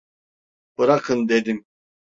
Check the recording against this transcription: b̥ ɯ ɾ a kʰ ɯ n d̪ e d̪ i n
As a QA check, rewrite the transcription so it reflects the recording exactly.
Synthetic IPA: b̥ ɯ ɾ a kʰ ɯ n d̪ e d̪ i m